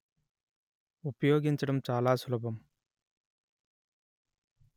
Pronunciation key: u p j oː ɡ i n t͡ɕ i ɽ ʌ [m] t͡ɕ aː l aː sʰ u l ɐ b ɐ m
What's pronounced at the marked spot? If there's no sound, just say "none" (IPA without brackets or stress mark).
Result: m